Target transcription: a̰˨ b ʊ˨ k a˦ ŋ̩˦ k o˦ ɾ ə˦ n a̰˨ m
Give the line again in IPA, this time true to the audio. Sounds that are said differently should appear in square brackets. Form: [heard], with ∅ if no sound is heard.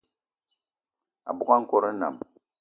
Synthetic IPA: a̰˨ b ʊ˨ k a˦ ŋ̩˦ k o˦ ɾ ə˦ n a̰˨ m